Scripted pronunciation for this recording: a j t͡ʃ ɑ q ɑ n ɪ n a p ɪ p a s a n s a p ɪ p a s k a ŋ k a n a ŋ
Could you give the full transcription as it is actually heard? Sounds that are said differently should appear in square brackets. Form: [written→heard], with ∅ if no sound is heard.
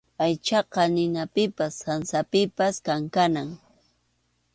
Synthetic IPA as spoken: a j t͡ʃ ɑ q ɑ n ɪ n a p ɪ p a s a n s a p ɪ p a s k a ŋ k a n a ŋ